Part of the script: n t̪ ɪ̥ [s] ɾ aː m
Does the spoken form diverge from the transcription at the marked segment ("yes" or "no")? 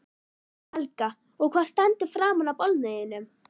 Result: yes